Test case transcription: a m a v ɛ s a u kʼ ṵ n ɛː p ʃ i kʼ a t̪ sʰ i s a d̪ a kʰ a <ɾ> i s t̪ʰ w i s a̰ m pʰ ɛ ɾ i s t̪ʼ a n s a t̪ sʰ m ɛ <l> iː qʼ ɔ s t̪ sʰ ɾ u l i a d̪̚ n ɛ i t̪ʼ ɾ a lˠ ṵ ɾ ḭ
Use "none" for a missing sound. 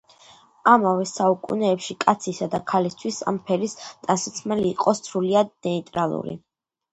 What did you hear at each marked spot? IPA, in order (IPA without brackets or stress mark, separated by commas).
l, l